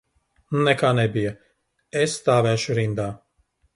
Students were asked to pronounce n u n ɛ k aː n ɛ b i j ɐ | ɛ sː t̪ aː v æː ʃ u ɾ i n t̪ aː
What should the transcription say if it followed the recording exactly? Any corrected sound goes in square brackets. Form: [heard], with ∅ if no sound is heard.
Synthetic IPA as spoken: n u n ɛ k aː n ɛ b i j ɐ | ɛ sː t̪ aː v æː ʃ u ɾ i n [d̪] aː